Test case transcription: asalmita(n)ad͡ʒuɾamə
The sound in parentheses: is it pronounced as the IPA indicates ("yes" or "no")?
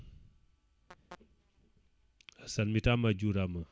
no